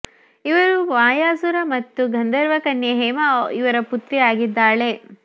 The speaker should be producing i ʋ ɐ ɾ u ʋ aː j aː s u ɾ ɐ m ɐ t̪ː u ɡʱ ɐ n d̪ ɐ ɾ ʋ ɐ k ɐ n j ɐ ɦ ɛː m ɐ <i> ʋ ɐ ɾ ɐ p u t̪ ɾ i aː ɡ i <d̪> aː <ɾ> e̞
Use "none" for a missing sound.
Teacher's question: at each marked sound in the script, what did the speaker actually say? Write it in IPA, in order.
i, d̪ː, ɭ

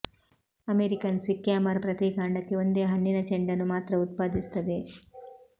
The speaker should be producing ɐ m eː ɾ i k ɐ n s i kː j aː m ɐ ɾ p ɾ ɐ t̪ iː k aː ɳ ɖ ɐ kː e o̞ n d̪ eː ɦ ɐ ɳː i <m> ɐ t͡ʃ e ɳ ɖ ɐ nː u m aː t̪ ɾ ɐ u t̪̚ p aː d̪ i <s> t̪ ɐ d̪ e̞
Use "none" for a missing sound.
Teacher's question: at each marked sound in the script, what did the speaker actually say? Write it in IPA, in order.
n, s

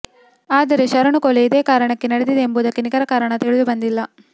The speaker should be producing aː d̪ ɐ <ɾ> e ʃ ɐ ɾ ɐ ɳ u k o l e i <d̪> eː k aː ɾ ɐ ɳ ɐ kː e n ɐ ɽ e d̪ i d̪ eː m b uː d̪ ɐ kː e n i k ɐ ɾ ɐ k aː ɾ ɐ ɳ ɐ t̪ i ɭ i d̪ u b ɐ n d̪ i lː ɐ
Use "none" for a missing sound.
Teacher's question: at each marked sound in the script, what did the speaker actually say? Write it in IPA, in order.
ɾ, d̪

